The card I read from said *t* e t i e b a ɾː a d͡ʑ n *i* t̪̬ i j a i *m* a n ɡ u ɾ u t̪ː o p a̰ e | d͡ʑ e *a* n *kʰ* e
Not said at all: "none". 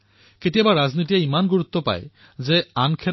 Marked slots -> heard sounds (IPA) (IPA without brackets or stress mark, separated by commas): k, i, m, a, kʰ